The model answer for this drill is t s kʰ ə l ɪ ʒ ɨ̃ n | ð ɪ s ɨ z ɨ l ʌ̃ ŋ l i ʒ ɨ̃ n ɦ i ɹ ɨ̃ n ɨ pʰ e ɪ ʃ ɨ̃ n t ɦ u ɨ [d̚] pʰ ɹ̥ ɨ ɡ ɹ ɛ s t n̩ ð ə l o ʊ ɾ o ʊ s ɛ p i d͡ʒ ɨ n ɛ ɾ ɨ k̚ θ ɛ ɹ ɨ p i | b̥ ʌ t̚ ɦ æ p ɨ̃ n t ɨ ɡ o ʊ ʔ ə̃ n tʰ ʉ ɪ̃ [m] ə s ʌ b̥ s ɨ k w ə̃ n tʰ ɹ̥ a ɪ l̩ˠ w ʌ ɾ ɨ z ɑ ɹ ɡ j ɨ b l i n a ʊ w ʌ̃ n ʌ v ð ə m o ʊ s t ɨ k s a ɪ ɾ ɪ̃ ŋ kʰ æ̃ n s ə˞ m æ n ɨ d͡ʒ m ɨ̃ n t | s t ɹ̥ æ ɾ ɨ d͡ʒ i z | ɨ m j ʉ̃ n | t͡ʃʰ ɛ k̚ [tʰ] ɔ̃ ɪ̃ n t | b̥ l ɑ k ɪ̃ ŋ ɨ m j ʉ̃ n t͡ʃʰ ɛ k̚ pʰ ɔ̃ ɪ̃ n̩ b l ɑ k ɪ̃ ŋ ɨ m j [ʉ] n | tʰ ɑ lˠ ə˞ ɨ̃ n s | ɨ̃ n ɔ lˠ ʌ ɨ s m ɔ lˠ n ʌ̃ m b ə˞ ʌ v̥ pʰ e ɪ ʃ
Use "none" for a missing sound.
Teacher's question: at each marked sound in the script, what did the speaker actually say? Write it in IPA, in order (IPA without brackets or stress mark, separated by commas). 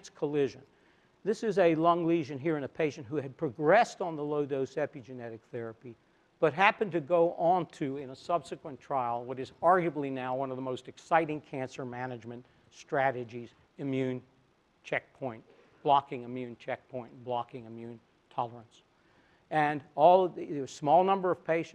d̚, n, pʰ, ʉ̃